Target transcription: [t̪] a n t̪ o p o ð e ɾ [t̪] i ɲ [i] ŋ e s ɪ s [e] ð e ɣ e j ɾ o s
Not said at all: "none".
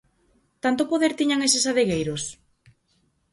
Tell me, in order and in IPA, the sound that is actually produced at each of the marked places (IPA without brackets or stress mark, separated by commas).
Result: t̪, t̪, a, a